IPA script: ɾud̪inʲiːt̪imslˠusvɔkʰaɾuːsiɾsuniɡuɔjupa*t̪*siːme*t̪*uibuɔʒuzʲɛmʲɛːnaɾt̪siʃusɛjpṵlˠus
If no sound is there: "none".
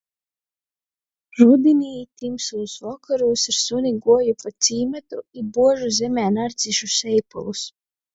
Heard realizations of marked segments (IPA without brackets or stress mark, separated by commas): t̪, t̪